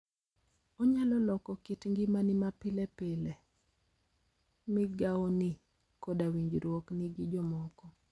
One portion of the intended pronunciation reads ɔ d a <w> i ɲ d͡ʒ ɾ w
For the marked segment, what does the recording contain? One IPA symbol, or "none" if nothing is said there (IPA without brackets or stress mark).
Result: w